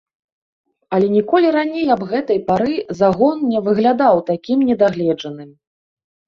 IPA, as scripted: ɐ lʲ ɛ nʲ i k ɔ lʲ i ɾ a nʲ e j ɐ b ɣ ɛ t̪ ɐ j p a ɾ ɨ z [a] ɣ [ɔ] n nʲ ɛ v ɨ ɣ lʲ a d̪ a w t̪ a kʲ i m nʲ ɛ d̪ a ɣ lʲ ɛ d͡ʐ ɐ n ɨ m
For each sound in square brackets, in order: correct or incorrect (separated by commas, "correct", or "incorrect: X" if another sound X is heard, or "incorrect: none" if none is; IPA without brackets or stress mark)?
correct, correct